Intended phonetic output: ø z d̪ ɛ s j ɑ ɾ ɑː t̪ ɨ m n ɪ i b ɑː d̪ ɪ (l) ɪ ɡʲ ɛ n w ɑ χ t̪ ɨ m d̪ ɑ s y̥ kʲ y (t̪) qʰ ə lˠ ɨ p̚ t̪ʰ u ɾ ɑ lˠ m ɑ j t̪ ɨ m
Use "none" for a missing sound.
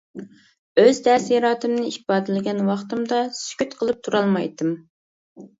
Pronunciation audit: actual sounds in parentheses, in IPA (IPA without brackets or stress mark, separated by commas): l, t̪